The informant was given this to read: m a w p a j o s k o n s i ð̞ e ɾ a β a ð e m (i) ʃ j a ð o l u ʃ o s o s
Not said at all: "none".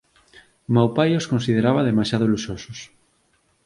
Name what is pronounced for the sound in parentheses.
a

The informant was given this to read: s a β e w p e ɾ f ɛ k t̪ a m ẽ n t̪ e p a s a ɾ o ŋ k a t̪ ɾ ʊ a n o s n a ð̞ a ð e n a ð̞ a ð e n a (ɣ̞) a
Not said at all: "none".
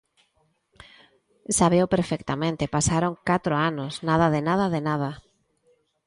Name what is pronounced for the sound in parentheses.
ð̞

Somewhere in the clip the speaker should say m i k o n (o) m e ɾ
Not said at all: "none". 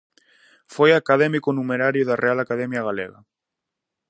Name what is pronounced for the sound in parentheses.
u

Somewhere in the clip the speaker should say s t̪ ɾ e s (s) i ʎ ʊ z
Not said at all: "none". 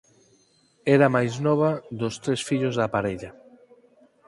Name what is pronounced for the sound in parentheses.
f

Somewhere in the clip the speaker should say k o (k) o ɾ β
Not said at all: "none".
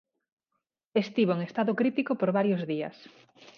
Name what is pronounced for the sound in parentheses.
p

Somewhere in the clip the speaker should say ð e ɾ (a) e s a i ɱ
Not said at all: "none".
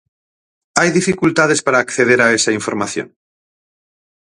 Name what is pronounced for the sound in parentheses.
a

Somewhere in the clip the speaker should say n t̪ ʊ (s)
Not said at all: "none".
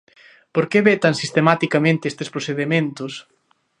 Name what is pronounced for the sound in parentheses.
s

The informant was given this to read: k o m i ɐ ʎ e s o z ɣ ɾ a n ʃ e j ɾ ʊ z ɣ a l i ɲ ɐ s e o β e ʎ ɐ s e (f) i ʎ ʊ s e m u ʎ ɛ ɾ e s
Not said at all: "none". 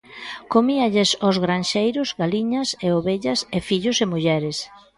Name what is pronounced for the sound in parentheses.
f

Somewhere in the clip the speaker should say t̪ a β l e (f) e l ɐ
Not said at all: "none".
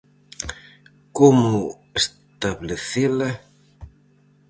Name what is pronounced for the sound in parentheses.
θ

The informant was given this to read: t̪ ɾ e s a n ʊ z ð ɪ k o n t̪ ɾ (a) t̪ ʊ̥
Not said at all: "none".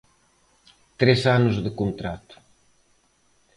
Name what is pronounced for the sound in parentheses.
a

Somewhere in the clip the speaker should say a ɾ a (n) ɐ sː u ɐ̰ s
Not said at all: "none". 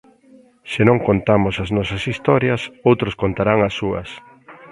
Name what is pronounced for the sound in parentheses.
ŋ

